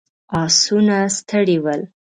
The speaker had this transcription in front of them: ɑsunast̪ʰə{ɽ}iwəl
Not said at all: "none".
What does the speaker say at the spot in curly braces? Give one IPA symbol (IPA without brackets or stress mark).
ɽ